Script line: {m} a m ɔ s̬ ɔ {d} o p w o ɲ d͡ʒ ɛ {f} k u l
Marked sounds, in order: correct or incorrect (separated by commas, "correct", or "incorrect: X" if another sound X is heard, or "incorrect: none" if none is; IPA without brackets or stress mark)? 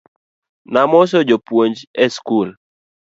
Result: incorrect: n, incorrect: d͡ʒ, incorrect: s